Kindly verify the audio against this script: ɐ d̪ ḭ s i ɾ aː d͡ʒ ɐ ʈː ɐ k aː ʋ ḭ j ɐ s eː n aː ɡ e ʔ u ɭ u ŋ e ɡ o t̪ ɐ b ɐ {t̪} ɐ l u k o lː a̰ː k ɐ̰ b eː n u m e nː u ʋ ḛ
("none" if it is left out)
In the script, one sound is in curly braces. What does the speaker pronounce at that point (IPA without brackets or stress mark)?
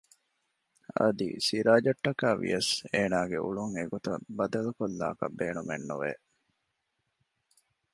d̪